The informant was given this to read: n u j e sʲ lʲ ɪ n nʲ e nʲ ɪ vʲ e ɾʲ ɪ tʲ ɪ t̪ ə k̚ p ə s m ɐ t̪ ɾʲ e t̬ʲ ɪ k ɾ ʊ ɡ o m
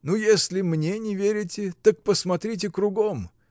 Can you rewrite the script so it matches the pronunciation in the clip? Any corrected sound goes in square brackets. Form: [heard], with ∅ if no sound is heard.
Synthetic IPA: n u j e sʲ lʲ ɪ [m] nʲ e nʲ ɪ vʲ e ɾʲ ɪ tʲ ɪ t̪ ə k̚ p ə s m ɐ t̪ ɾʲ [i] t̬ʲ ɪ k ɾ ʊ ɡ o m